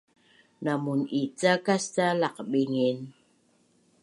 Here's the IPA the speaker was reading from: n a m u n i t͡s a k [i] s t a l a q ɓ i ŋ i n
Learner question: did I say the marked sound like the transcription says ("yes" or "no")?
no